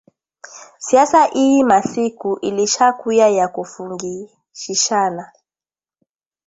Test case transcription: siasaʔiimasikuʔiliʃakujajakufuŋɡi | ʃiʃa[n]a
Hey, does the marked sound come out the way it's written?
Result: yes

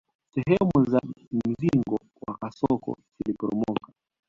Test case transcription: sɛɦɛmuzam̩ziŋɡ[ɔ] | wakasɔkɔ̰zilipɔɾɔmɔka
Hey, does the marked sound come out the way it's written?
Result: yes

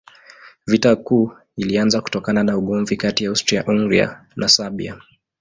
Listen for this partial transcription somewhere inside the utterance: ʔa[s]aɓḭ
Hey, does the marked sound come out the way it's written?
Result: yes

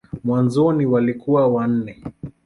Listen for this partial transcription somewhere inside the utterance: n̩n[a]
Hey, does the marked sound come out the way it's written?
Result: no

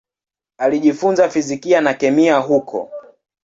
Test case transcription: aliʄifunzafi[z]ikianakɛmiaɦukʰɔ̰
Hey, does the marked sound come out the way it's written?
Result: yes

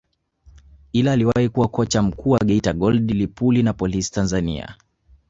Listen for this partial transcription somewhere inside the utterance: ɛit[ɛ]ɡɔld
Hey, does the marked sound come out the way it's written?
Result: no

